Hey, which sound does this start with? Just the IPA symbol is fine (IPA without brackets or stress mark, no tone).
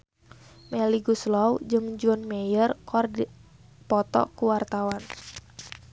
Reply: m